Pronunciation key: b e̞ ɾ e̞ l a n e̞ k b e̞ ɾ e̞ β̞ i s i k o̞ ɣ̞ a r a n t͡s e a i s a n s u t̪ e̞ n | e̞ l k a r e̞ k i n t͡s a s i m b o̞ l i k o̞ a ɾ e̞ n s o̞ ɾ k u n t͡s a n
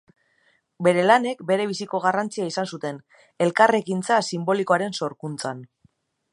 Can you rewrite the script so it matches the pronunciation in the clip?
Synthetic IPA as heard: b e̞ ɾ e̞ l a n e̞ k b e̞ ɾ e̞ β̞ i s i k o̞ ɣ̞ a r a n t͡s i a i s a n s u t̪ e̞ n | e̞ l k a r e̞ k i n t͡s a s i m b o̞ l i k o̞ a ɾ e̞ n s o̞ ɾ k u n t͡s a n